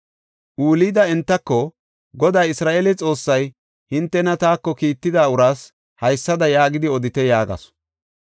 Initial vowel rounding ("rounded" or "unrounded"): rounded